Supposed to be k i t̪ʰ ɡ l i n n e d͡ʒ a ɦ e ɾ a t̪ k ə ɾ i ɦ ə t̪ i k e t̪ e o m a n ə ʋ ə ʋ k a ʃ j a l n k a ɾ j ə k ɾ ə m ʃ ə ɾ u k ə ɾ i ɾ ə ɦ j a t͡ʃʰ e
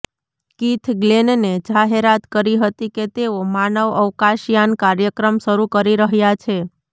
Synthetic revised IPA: k i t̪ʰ ɡ l e n n e d͡ʒ a ɦ e ɾ a t̪ k ə ɾ i ɦ ə t̪ i k e t̪ e o m a n ə ʋ ə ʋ k a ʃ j a n k a ɾ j ə k ɾ ə m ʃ ə ɾ u k ə ɾ i ɾ ə ɦ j a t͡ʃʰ e